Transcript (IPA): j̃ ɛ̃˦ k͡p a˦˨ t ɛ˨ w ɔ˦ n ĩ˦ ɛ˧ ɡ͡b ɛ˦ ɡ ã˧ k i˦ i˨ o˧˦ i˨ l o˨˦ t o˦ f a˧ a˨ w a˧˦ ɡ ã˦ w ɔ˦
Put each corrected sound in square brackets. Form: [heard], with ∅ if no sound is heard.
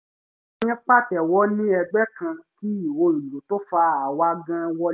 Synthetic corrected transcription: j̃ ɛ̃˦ k͡p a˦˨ t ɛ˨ w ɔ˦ n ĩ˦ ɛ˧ ɡ͡b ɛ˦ [k] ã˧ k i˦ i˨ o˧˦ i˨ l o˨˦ t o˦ f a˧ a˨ w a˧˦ ɡ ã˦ w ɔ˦